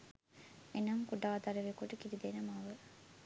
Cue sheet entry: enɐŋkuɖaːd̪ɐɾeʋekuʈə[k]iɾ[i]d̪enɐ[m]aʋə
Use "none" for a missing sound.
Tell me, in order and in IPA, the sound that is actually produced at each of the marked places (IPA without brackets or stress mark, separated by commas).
k, i, m